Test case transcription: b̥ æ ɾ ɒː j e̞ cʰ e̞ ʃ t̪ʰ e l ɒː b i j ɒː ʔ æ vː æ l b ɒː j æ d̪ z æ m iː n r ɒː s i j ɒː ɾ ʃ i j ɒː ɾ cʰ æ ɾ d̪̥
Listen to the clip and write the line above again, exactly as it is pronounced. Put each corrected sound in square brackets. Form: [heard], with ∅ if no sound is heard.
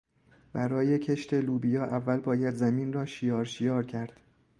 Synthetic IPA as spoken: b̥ æ ɾ ɒː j e̞ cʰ e̞ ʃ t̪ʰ e l [uː] b i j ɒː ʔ æ vː æ l b ɒː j æ d̪ z æ m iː n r ɒː [ʃ] i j ɒː ɾ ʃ i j ɒː ɾ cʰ æ ɾ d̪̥